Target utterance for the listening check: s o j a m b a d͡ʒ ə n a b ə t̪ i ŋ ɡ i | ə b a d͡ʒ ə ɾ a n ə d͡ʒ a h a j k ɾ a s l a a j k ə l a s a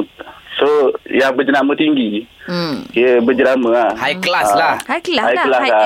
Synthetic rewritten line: s o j a ŋ b ə d͡ʒ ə n a m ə t̪ i ŋ ɡ i | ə b ə d͡ʒ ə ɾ a m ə a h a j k l a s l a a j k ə l a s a